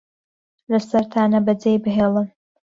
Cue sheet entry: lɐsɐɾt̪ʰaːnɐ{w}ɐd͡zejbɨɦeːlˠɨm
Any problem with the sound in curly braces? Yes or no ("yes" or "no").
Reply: yes